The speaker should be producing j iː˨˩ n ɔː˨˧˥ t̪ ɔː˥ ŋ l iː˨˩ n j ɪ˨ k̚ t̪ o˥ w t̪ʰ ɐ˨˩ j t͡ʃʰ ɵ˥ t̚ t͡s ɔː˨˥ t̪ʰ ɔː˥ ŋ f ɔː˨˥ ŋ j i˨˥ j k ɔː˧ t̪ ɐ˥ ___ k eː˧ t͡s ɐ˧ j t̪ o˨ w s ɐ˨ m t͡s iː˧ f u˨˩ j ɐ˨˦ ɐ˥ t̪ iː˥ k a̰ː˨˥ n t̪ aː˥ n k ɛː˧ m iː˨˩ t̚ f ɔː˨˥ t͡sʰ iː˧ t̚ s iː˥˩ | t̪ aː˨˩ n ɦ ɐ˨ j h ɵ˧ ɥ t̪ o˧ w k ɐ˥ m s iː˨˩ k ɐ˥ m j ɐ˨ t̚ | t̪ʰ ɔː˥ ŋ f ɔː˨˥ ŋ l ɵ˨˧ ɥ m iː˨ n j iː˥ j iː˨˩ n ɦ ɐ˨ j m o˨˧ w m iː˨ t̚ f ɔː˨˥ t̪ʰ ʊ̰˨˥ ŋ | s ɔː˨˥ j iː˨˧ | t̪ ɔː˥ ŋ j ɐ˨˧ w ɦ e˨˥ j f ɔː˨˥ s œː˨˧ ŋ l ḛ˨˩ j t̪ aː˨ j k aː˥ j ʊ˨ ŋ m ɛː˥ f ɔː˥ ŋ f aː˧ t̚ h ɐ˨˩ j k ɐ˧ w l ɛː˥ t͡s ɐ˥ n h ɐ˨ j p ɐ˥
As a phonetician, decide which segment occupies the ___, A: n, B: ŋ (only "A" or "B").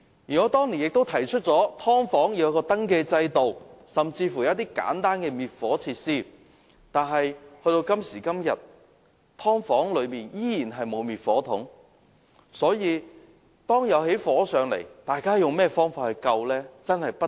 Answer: B